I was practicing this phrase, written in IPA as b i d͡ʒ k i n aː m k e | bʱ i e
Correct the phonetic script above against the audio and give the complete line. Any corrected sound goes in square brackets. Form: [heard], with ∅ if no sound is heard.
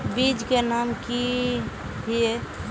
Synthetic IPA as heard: b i d͡ʒ k [e] n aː m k [i] | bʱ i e